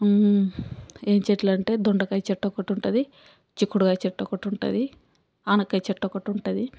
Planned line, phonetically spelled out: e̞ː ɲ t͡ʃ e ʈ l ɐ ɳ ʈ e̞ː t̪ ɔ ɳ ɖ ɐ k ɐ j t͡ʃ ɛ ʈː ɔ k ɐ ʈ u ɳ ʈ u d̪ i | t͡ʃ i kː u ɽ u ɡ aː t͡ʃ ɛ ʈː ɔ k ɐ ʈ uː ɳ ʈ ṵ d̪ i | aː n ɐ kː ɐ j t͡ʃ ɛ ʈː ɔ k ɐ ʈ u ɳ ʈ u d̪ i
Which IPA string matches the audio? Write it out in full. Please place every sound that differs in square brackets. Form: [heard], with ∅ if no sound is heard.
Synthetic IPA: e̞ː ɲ t͡ʃ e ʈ l ɐ ɳ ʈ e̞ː [d̪] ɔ ɳ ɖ ɐ k ɐ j t͡ʃ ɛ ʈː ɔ k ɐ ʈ u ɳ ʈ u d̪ i | t͡ʃ i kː u ɽ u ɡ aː t͡ʃ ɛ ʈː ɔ k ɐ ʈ [u] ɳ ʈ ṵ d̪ i | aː n ɐ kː ɐ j t͡ʃ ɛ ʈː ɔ k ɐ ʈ u ɳ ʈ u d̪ i